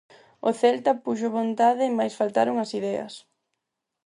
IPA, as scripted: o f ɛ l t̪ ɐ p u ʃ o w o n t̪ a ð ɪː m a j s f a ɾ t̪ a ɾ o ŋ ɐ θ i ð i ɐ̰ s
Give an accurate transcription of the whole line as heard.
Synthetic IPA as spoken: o θ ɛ l t̪ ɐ p u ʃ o β o n t̪ a ð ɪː m a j s f a l t̪ a ɾ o ŋ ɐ s i ð ɛ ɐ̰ s